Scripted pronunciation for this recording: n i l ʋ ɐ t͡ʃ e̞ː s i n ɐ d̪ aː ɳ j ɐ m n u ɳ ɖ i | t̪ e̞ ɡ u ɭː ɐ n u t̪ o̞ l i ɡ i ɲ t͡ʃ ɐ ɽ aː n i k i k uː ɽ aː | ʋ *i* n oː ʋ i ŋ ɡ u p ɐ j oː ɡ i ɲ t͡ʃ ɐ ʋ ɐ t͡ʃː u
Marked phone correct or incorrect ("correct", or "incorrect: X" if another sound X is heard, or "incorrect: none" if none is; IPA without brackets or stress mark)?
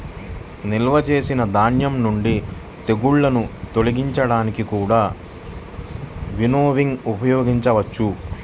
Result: correct